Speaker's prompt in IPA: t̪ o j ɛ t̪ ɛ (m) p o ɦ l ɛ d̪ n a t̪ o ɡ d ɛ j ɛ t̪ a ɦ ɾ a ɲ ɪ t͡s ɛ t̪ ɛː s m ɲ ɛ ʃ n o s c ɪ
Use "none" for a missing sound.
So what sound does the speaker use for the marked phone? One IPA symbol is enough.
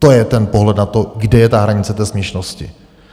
n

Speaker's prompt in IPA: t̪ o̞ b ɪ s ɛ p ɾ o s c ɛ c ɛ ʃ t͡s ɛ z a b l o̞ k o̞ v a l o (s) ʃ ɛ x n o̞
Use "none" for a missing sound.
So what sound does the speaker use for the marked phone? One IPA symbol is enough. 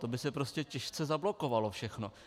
f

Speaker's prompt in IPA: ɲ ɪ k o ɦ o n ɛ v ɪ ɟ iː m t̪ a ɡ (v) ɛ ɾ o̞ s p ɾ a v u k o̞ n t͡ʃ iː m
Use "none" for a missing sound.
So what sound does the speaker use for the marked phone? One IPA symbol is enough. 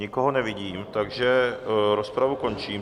ʒ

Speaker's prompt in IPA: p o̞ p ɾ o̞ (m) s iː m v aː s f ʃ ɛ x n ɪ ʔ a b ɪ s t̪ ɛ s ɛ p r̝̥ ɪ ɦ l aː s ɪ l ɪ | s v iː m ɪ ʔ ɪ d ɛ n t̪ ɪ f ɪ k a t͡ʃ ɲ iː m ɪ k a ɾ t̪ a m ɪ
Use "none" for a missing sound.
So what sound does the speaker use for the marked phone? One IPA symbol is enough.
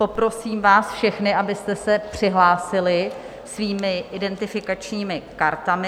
none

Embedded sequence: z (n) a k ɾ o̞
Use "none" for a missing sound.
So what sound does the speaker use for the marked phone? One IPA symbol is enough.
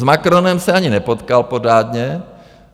m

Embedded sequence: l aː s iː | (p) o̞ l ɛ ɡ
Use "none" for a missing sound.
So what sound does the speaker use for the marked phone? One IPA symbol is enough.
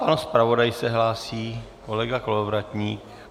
k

